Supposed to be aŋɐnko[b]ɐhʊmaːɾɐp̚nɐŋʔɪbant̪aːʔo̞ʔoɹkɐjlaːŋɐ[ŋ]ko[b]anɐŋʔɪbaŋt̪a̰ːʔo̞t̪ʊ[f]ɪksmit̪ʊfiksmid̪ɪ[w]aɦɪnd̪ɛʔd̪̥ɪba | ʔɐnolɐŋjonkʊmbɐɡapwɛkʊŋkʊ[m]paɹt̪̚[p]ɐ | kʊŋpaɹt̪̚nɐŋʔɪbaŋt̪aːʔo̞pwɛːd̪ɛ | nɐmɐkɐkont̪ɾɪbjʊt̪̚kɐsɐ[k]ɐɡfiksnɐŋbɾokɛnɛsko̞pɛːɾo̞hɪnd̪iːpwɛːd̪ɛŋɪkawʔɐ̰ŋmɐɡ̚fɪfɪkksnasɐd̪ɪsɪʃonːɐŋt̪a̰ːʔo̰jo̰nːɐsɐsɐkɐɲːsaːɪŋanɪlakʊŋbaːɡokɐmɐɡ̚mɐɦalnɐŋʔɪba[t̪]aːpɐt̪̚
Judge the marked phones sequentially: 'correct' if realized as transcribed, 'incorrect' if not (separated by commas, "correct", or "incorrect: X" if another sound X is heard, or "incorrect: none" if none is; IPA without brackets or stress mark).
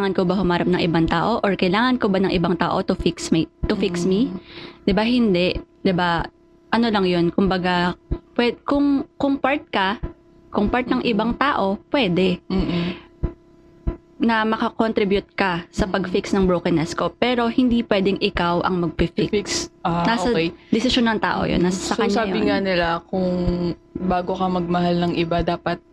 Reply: correct, incorrect: n, correct, correct, incorrect: b, incorrect: ŋ, incorrect: k, incorrect: p, incorrect: d̪